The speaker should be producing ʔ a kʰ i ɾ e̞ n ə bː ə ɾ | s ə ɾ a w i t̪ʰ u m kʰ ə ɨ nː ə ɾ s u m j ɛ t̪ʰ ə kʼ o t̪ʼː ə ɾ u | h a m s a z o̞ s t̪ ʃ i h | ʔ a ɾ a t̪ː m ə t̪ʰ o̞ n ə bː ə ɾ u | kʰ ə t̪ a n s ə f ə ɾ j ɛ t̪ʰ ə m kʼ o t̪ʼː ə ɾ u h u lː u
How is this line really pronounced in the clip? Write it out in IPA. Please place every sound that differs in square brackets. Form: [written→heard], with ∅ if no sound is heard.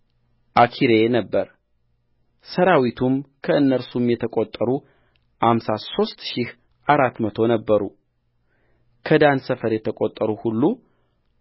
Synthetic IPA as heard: ʔ a kʰ i ɾ e̞ n ə bː ə ɾ | s ə ɾ a w i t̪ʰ u m kʰ ə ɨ nː ə ɾ s u m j ɛ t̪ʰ ə kʼ o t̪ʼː ə ɾ u | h a m s a [z→s] o̞ s t̪ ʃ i h | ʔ a ɾ a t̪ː m ə t̪ʰ o̞ n ə bː ə ɾ u | kʰ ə [t̪→d̪] a n s ə f ə ɾ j ɛ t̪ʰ ə [m→∅] kʼ o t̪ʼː ə ɾ u h u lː u